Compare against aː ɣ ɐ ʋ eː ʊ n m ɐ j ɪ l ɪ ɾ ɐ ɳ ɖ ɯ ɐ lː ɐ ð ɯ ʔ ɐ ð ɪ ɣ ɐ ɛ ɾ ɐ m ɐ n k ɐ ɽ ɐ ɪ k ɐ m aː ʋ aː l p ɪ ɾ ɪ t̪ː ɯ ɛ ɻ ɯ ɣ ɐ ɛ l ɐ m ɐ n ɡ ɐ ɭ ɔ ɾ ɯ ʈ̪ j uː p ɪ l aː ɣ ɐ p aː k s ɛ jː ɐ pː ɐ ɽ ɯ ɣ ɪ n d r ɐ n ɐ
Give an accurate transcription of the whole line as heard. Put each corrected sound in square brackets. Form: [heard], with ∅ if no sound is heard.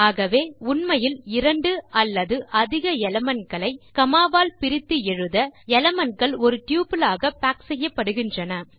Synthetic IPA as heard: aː ɣ ɐ ʋ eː ʊ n m ɐ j ɪ l ɪ ɾ ɐ ɳ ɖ ɯ ɐ lː ɐ ð ɯ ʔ ɐ ð ɪ ɣ ɐ ɛ [l] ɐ m ɐ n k ɐ [ɭ] ɐ ɪ k ɐ m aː ʋ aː l p ɪ ɾ ɪ t̪ː ɯ ɛ ɻ ɯ [ð] ɐ ɛ l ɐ m ɐ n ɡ ɐ ɭ ɔ ɾ ɯ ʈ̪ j uː p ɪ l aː ɣ ɐ p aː k s ɛ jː ɐ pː ɐ ɽ ɯ ɣ ɪ n d r ɐ n ɐ